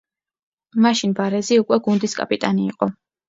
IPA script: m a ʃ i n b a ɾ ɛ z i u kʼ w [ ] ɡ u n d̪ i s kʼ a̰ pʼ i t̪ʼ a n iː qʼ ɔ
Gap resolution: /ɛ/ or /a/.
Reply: ɛ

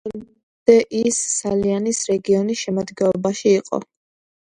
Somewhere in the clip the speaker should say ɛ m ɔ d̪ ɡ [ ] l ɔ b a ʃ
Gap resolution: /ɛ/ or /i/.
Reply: ɛ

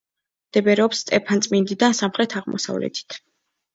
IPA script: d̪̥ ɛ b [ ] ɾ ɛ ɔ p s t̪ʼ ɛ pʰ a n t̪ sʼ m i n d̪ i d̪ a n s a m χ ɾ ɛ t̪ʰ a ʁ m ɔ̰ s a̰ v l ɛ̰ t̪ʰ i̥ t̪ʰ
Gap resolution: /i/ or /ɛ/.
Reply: ɛ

